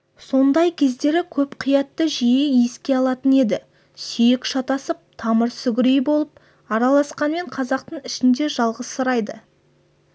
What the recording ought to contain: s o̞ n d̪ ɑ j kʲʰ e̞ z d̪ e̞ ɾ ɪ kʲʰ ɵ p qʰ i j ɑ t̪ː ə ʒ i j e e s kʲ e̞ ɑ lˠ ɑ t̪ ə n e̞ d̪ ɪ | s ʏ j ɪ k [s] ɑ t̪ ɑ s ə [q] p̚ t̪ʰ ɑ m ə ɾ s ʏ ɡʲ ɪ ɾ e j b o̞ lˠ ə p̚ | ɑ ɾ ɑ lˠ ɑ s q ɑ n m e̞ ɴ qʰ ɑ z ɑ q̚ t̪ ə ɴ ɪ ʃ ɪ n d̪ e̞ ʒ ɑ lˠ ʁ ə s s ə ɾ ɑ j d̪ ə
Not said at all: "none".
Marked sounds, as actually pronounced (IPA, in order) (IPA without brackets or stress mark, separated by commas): ʃ, none